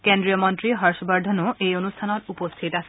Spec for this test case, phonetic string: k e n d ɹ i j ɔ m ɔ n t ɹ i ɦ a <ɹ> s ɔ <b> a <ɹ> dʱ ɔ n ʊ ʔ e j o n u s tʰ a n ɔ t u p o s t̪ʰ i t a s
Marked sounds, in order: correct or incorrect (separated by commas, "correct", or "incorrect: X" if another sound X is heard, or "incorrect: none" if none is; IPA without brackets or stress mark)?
correct, correct, correct